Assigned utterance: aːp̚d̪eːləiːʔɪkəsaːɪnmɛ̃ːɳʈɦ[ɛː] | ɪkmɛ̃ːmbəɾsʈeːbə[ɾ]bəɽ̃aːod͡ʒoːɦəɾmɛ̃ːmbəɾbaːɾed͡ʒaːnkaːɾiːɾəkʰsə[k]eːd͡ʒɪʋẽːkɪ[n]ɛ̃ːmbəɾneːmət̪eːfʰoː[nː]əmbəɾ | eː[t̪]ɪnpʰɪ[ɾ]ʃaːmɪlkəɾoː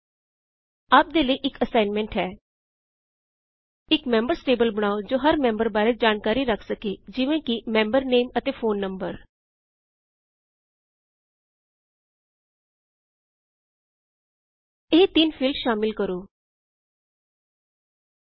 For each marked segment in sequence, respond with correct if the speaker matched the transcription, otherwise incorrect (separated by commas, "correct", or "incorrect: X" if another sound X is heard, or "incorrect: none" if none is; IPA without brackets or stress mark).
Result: correct, incorrect: l, correct, incorrect: m, correct, correct, incorrect: l